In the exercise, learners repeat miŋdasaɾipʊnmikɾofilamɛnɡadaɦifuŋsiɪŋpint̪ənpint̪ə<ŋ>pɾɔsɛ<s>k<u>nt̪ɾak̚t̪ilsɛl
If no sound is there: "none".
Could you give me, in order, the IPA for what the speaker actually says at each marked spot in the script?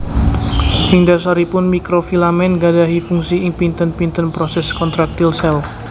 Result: n, s, ɔ

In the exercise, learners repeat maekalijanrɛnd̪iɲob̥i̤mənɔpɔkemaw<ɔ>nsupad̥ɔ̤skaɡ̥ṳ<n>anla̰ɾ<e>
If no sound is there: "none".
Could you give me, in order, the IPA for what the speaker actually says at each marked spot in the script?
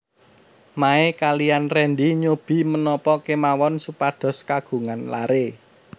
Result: ɔ, ŋ, e

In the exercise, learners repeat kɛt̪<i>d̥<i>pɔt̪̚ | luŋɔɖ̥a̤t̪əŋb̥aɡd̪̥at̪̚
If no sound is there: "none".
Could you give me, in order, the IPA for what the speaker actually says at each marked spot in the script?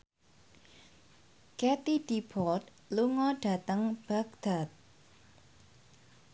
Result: i, i

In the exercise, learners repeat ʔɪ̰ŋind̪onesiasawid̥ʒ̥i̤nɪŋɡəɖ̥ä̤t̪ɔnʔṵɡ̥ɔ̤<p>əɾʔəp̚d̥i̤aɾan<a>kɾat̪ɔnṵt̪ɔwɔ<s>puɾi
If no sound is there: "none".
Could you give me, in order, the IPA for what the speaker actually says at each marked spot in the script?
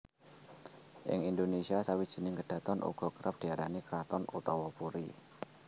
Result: k, i, none

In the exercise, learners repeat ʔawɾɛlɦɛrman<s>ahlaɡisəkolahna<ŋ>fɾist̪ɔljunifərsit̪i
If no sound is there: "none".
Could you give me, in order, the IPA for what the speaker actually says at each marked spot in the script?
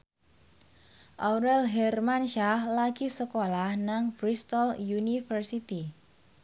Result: ʃ, ŋ

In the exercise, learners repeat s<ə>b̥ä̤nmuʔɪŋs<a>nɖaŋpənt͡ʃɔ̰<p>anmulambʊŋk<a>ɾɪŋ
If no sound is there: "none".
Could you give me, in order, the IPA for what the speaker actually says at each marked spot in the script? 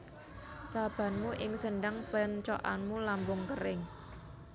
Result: a, ə, ʔ, ə

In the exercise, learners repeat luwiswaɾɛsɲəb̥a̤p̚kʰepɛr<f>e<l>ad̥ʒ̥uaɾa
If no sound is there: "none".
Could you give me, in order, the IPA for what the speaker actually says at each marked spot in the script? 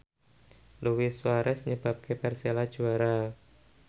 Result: s, l

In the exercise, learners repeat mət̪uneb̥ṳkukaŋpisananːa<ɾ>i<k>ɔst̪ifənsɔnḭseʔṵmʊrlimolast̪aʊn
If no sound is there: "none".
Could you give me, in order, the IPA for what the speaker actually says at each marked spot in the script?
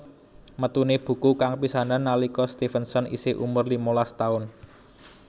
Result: l, k

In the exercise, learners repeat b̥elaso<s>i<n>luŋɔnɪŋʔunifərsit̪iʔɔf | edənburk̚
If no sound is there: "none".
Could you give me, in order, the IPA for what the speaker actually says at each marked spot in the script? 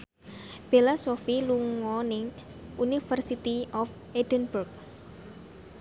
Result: f, none

